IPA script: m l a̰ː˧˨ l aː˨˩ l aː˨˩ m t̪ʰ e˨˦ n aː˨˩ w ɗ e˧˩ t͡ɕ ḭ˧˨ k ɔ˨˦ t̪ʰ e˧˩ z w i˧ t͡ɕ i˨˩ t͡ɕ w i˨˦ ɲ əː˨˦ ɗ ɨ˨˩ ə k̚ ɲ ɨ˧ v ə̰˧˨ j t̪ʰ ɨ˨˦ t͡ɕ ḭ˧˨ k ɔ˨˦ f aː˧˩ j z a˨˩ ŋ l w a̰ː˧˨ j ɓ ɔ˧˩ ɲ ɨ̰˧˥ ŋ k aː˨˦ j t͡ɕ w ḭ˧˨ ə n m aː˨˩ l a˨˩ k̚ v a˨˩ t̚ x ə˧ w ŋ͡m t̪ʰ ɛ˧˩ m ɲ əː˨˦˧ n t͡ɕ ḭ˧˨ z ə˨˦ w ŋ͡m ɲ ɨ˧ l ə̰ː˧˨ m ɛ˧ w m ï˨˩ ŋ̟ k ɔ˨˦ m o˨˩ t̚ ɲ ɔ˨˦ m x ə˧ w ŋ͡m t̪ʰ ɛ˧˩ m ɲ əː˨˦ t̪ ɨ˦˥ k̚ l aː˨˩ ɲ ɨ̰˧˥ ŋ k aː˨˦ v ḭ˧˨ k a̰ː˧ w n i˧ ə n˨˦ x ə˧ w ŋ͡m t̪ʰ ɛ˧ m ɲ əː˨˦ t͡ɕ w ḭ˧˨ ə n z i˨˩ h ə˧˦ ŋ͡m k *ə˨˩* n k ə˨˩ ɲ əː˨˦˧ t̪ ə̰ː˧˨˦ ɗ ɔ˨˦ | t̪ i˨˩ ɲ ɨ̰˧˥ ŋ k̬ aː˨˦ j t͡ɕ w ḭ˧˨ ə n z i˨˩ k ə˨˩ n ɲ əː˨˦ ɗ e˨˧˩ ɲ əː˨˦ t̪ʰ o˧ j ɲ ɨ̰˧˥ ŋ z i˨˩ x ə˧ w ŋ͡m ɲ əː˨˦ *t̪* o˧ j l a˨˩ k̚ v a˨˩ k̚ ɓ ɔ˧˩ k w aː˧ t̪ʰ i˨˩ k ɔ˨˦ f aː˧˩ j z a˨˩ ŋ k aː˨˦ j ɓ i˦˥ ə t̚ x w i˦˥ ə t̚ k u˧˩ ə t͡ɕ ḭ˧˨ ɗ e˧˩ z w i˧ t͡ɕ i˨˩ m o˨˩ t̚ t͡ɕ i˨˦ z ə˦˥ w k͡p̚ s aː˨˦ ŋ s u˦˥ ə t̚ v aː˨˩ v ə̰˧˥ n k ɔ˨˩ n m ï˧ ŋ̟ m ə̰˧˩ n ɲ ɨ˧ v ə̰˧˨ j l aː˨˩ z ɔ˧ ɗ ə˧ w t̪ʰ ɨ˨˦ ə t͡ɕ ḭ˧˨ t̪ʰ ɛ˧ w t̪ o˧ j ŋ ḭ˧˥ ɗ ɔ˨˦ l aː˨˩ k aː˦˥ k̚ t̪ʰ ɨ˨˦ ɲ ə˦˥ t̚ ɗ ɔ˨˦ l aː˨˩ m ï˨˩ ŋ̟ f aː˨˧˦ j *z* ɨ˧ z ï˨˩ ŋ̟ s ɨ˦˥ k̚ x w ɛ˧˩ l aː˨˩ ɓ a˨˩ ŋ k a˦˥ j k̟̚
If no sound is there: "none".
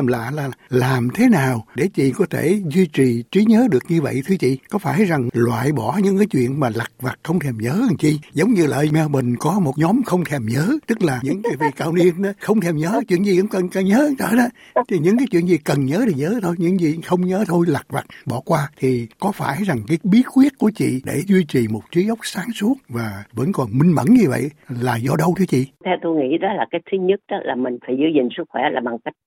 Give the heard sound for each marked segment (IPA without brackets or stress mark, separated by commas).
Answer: ə˨˩, t̪ʰ, z